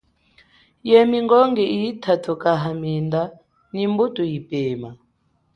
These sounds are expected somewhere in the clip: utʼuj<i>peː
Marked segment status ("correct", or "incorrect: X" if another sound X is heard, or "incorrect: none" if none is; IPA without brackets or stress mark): correct